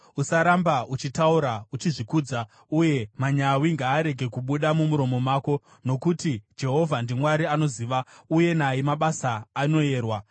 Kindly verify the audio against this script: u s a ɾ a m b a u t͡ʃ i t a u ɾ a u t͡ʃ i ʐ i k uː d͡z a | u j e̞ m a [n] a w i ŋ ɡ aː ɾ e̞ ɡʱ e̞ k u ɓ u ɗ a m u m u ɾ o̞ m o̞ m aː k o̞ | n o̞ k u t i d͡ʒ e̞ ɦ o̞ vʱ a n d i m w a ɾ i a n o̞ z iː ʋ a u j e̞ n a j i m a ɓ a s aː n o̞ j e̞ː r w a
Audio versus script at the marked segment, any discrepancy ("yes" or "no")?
yes